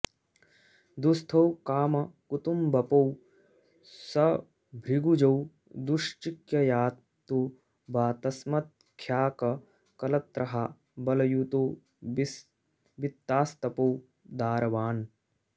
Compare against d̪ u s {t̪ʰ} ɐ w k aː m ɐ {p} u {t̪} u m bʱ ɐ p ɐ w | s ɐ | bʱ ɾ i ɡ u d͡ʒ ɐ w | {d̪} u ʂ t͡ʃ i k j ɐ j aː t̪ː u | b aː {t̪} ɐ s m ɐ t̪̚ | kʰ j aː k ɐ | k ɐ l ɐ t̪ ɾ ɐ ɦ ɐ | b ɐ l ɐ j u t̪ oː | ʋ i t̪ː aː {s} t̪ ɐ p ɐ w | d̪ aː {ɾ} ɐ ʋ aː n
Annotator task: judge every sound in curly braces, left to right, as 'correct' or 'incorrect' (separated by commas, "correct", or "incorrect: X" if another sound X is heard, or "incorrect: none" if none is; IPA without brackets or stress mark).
correct, incorrect: k, correct, correct, correct, correct, correct